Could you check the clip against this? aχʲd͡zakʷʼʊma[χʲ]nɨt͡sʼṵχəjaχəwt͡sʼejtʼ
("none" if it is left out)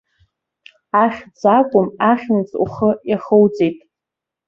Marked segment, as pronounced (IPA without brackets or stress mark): χʲ